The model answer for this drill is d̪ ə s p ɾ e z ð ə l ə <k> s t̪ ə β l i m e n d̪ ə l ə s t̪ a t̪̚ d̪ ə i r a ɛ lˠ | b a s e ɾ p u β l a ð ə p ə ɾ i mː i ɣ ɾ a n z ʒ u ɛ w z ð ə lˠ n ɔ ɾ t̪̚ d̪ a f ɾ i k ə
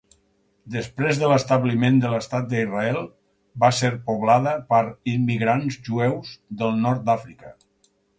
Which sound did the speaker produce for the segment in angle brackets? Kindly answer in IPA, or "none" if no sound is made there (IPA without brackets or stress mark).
none